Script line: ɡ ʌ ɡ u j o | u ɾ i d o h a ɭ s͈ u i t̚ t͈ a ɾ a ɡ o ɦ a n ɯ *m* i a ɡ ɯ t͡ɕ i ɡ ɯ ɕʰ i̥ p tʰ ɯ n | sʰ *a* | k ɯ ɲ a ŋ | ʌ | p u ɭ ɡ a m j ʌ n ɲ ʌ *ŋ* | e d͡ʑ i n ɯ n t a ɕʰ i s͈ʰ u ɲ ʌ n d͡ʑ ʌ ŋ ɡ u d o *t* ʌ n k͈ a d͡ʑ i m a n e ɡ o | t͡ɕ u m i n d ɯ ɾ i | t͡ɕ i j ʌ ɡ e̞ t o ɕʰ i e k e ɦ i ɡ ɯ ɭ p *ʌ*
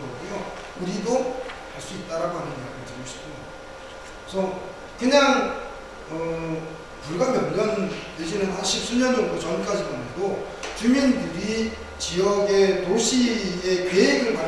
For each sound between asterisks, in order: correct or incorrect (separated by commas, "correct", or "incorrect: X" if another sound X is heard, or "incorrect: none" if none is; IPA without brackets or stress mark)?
incorrect: n, incorrect: ʌ, incorrect: n, incorrect: t͡ɕ, incorrect: a